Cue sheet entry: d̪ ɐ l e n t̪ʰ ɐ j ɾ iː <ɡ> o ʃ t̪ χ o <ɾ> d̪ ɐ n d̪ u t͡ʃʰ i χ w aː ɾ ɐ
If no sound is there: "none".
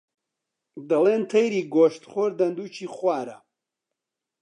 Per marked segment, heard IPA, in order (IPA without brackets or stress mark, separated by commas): ɡ, ɾ